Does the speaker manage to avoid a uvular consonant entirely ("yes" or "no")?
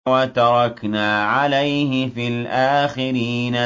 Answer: yes